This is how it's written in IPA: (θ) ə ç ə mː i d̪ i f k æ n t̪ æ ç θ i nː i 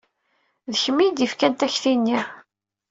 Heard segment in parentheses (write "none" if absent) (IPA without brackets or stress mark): ð